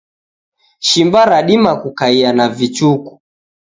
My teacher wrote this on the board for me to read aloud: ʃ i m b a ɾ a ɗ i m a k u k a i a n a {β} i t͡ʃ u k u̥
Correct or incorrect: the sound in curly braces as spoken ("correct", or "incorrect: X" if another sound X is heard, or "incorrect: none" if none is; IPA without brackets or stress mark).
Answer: incorrect: v